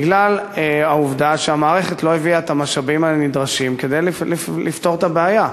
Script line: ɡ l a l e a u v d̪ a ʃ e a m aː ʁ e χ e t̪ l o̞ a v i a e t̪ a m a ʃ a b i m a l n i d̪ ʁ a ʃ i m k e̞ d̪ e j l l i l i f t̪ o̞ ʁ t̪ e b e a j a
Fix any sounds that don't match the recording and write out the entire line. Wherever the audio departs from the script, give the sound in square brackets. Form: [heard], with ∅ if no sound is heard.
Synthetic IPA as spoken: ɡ l a l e a u v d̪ a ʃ e a m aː ʁ e χ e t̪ l o̞ [e] v i a e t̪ a m a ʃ a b i m a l n i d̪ ʁ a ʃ i m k e̞ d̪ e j l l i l i f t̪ o̞ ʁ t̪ [a] b e a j a